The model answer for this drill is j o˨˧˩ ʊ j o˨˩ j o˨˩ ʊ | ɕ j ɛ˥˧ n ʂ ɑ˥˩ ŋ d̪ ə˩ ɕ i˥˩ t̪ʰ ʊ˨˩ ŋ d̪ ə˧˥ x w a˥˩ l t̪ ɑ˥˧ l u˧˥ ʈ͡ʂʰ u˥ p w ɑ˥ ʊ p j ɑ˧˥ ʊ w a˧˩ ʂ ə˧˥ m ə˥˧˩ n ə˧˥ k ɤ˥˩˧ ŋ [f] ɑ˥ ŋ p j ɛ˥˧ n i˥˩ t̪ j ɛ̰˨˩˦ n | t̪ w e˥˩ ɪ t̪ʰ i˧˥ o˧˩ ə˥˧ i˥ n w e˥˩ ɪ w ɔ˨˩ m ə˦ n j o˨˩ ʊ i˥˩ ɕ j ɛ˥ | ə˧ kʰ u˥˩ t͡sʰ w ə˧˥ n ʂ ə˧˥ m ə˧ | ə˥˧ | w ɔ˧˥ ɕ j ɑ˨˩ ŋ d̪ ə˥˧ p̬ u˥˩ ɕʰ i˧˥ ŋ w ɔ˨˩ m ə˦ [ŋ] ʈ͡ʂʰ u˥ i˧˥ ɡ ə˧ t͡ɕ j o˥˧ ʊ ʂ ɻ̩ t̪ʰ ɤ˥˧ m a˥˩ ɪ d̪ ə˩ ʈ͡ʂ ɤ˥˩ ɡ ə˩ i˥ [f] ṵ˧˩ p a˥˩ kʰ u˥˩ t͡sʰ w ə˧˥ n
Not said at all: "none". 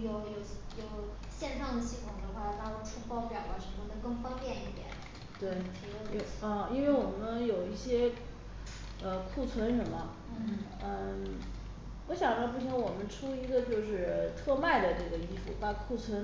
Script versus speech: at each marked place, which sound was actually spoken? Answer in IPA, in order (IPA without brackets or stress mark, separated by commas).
f, n, f